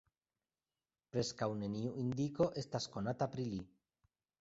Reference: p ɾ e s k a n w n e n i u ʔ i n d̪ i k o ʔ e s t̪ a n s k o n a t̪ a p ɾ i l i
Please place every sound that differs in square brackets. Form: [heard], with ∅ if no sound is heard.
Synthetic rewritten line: p ɾ e s k a [∅] w n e n i u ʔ i n d̪ i k o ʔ e s t̪ a [∅] s k o n a t̪ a p ɾ i l i